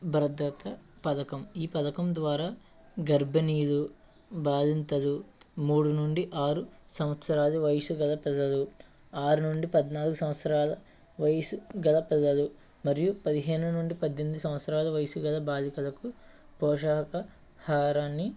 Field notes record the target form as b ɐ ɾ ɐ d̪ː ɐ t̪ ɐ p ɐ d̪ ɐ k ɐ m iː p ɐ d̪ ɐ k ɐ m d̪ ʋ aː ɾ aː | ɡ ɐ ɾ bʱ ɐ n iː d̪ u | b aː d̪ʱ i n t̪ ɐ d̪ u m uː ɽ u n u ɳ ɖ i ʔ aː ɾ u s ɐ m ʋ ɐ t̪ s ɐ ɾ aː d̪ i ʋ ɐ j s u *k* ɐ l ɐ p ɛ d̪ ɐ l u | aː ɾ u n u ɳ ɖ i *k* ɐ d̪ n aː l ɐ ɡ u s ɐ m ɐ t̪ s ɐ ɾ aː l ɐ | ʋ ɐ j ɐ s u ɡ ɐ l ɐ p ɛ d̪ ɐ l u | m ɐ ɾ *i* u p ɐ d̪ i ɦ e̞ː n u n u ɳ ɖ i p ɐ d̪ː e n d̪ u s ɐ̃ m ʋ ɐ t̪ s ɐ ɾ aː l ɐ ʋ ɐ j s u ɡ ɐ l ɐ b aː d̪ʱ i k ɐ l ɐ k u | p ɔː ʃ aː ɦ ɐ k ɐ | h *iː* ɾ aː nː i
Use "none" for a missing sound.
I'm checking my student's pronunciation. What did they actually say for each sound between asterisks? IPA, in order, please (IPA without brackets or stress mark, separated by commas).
ɡ, p, j, aː